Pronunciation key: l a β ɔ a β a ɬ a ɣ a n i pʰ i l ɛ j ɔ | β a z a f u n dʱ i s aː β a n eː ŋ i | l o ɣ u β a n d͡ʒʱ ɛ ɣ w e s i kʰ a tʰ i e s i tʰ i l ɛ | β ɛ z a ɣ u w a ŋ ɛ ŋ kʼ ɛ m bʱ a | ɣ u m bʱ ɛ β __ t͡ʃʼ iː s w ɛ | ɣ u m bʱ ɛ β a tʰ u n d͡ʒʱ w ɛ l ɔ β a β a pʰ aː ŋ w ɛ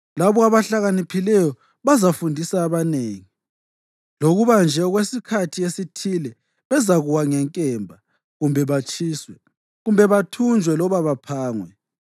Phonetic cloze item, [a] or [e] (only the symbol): a